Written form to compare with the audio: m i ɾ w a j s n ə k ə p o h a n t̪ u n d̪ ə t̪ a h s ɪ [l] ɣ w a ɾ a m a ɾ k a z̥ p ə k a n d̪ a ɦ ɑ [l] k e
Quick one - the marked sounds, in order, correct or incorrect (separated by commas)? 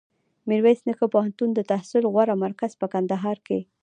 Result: correct, incorrect